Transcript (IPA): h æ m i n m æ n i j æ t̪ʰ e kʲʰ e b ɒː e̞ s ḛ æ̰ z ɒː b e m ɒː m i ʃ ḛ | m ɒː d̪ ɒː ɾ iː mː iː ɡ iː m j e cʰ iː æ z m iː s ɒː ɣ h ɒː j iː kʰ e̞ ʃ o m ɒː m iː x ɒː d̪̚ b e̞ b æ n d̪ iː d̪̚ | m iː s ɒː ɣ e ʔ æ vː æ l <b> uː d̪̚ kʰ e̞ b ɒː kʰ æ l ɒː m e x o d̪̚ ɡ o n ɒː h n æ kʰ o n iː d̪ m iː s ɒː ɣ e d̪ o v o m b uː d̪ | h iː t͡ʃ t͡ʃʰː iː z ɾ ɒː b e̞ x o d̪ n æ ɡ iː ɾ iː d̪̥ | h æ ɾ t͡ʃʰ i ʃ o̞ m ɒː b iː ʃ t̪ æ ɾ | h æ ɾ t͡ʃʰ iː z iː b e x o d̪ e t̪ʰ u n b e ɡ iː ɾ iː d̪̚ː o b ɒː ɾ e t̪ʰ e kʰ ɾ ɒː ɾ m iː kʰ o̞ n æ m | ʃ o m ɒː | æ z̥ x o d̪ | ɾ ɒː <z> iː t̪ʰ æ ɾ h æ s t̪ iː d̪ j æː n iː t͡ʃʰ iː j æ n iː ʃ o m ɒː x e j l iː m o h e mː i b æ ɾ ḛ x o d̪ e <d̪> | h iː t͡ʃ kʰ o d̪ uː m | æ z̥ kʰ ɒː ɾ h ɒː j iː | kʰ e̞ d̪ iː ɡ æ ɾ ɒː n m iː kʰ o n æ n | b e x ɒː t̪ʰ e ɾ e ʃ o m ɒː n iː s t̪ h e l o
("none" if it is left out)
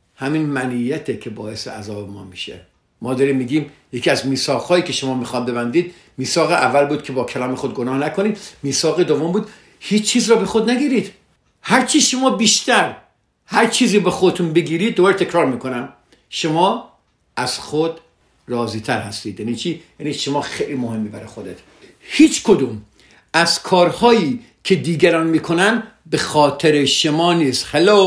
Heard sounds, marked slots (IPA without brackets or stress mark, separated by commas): b, z, t̪